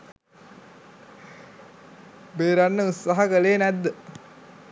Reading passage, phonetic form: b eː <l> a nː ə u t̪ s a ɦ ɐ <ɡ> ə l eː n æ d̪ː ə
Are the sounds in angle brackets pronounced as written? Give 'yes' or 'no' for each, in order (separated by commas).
no, no